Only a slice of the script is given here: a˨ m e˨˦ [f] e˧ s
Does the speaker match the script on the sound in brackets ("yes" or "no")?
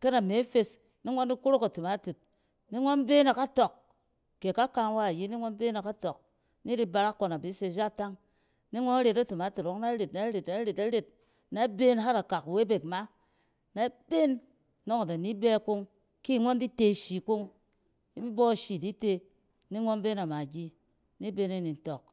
yes